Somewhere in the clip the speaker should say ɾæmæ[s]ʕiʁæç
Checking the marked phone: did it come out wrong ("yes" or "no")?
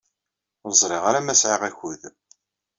no